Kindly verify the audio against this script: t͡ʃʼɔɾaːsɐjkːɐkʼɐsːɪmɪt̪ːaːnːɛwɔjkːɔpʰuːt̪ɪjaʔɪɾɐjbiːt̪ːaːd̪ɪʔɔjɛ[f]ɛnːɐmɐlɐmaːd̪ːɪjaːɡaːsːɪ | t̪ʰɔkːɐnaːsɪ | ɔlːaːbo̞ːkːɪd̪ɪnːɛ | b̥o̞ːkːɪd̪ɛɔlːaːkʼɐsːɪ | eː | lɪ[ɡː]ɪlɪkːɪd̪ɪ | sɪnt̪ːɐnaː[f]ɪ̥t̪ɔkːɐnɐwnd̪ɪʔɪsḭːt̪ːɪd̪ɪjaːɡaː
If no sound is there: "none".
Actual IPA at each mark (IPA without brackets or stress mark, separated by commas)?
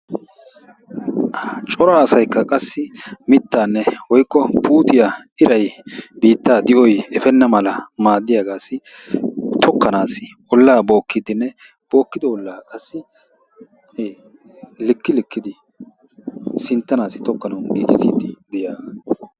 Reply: f, kː, s